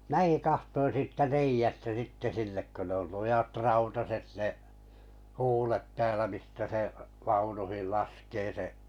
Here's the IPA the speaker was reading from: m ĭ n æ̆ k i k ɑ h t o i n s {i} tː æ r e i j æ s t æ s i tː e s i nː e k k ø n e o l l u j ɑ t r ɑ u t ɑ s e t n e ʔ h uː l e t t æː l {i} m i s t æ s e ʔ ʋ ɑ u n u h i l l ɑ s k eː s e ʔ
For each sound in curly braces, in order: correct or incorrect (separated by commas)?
incorrect, incorrect